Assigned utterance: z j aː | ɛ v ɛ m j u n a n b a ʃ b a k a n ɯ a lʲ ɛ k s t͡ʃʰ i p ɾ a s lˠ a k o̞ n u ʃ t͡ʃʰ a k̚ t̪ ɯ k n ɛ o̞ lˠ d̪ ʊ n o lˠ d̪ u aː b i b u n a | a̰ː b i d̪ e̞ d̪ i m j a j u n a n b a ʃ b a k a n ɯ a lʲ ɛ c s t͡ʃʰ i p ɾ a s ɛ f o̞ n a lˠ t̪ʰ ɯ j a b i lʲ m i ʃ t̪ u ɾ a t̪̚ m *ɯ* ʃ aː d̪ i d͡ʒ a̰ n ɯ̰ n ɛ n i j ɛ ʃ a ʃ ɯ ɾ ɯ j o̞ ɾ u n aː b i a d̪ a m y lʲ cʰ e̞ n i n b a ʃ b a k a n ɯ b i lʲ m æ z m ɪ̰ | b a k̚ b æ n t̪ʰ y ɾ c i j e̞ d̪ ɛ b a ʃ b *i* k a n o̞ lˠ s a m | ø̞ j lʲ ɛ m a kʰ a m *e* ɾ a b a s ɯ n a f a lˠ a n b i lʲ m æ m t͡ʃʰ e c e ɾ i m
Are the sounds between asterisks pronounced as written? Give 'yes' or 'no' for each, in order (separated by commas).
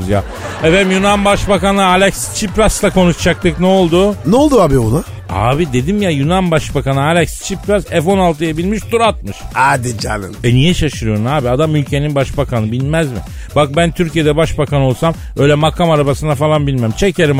yes, no, no